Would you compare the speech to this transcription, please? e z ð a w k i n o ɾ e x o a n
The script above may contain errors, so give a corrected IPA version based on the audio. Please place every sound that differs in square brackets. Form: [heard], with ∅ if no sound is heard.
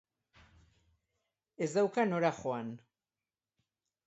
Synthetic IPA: e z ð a w k [a] n o ɾ [a] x o a n